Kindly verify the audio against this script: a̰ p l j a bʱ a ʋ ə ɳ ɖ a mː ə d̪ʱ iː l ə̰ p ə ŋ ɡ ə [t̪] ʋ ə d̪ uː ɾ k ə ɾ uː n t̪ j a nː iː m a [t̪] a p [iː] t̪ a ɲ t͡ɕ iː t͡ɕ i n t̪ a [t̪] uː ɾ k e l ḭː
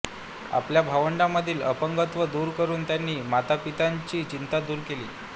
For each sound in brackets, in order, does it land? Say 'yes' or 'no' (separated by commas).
yes, yes, no, no